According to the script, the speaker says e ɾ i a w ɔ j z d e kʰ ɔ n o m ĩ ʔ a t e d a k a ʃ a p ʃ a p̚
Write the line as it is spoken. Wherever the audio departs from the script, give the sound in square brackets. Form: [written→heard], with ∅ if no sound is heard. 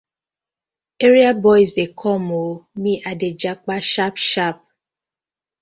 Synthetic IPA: e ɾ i a [w→b] ɔ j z d e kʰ ɔ [n→m] o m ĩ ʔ a [t→d] e [d→d͡ʒ] a [k→k͡p] a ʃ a p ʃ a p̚